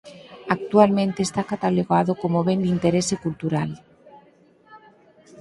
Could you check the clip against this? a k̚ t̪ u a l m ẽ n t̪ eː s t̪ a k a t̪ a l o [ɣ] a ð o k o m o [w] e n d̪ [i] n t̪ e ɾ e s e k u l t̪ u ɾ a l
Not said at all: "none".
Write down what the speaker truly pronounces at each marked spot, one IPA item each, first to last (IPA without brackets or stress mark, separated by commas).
ɣ, β, i